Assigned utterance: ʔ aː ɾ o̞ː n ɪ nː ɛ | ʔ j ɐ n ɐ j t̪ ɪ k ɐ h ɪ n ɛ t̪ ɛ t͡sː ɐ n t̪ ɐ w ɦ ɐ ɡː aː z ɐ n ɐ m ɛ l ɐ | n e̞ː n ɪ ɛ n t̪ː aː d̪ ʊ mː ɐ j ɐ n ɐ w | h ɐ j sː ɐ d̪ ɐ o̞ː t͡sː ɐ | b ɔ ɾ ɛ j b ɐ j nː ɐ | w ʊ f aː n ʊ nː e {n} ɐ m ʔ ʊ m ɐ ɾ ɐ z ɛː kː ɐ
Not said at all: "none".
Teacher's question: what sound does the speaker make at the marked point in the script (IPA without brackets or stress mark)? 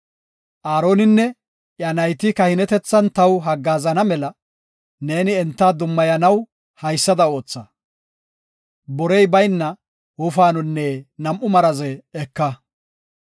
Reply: n